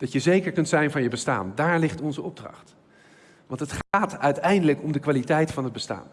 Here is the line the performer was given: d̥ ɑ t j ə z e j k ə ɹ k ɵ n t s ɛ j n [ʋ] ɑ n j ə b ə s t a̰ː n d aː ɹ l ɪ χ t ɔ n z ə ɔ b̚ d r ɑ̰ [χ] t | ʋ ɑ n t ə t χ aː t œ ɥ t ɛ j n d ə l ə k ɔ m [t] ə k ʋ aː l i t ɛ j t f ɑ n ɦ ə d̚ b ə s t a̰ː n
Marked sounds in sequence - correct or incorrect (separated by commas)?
incorrect, correct, incorrect